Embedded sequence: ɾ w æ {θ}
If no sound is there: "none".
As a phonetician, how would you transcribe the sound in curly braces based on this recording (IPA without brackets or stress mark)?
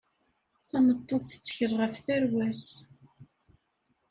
s